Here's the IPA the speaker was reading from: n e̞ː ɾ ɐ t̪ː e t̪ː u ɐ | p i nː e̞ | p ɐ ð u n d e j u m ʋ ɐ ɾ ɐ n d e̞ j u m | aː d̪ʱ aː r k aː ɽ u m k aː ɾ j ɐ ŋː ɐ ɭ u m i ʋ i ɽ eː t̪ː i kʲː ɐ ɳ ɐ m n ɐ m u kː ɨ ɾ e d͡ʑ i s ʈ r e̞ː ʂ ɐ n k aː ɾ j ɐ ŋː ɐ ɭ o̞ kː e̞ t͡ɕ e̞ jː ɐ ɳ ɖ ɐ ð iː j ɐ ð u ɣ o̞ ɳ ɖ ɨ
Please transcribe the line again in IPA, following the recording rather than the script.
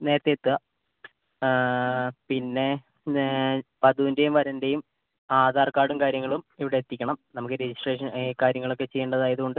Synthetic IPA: n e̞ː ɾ ɐ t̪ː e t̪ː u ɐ | p i nː e̞ | p ɐ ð u n d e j u m ʋ ɐ ɾ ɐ n d e̞ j u m | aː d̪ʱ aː r k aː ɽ u m k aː ɾ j ɐ ŋː ɐ ɭ u m i ʋ i ɽ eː t̪ː i kʲː ɐ ɳ ɐ m n ɐ m u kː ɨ ɾ e d͡ʑ i s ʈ r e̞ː ʂ ɐ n k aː ɾ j ɐ ŋː ɐ ɭ o̞ kː e̞ t͡ɕ e̞ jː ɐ ɳ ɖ ɐ ð aː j ɐ ð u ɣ o̞ ɳ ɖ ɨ